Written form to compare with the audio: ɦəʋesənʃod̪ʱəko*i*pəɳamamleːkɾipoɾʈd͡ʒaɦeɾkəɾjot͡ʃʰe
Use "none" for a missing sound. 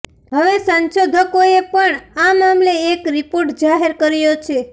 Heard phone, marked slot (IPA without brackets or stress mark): e